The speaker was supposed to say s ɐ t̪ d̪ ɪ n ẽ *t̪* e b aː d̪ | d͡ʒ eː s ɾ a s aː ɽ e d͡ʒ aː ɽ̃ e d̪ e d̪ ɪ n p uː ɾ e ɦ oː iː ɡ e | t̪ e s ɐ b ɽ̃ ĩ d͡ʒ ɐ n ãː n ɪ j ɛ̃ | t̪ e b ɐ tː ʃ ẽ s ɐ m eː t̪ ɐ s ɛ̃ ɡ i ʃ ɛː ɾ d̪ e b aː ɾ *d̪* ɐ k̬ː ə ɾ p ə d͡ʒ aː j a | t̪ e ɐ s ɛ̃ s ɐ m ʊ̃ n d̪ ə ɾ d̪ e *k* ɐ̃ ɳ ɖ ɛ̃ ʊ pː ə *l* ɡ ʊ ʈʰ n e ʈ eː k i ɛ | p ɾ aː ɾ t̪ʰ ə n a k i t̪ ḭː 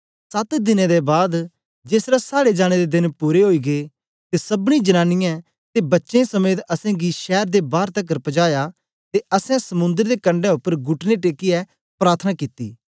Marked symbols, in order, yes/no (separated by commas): no, no, yes, no